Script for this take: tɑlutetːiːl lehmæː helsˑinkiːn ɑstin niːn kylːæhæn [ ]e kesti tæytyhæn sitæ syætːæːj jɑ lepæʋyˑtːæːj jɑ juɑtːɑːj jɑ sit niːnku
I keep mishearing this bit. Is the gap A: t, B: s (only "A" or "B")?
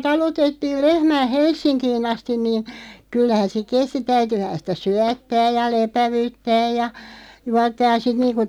B